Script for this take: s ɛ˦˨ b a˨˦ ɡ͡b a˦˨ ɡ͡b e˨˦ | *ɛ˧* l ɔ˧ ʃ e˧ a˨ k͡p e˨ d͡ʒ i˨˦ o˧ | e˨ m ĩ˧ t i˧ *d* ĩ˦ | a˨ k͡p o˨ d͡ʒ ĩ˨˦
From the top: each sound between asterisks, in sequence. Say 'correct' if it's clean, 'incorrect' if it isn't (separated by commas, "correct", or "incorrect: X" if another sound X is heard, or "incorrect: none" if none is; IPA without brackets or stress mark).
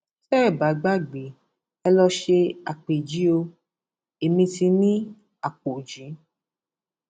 correct, incorrect: n